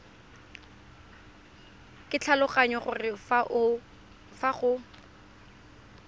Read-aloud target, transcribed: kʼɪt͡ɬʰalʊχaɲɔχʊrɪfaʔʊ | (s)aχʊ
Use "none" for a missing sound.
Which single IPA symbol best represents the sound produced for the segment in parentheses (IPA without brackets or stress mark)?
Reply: f